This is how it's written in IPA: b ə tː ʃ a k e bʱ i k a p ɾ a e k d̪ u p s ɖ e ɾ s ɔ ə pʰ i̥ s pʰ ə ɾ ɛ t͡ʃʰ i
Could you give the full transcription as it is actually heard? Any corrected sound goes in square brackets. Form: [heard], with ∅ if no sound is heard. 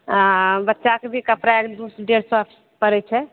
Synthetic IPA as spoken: b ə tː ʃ a k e bʱ i k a p ɾ a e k d̪ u [∅] s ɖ e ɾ s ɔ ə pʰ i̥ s [p] ə ɾ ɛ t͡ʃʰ [ɛ]